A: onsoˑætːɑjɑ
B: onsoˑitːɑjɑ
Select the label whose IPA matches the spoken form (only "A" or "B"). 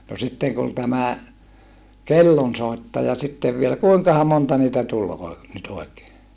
B